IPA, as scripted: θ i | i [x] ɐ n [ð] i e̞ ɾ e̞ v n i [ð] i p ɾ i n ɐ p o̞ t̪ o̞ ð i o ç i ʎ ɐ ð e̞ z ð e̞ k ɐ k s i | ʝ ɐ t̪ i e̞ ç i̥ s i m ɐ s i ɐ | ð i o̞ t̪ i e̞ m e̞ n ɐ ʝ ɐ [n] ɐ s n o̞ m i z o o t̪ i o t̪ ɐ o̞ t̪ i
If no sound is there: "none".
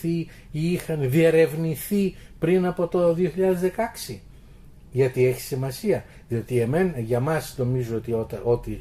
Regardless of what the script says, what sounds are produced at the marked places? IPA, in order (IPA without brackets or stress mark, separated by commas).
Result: x, ð, θ, m